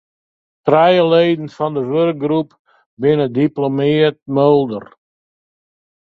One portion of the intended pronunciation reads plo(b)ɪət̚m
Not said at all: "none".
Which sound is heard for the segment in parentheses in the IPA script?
m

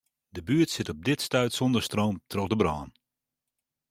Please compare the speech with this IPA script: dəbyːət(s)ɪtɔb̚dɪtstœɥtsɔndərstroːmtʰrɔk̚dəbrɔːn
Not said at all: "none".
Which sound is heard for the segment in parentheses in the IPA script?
s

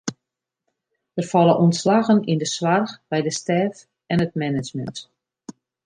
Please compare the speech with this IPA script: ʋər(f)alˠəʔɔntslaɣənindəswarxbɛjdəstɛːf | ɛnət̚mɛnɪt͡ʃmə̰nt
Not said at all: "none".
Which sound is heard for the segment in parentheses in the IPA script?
f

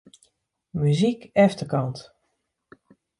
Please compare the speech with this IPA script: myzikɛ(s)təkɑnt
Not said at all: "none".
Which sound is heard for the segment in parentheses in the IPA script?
f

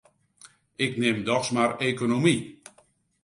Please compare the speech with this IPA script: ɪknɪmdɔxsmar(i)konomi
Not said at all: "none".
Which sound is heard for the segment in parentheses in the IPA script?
e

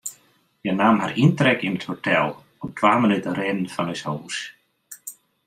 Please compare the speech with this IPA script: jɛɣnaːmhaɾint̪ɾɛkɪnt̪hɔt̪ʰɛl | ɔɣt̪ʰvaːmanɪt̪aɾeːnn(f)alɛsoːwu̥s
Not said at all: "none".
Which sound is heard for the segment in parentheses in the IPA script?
f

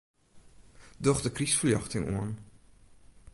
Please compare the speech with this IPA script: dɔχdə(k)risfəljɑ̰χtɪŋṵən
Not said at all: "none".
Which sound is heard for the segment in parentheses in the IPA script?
k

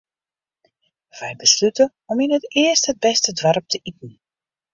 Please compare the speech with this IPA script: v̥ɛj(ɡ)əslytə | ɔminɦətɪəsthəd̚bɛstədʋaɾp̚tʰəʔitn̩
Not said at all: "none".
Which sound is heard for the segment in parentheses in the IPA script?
b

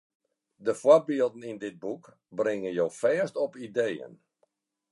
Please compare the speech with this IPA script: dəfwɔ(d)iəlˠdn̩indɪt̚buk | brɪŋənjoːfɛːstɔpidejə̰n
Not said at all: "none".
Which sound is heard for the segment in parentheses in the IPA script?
b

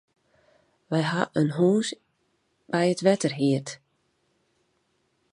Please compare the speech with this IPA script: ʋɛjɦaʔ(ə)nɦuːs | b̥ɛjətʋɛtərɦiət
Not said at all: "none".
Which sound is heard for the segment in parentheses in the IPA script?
ə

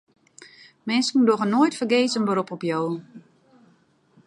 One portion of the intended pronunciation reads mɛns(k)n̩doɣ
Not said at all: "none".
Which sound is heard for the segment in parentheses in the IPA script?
k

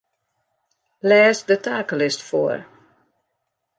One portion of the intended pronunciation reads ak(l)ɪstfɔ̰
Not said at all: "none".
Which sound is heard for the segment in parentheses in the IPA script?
l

